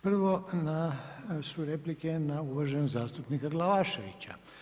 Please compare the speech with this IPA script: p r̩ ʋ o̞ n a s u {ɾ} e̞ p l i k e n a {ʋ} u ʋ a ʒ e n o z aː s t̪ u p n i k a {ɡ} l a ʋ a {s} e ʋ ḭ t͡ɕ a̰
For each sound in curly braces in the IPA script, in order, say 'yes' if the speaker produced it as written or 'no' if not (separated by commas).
yes, no, yes, no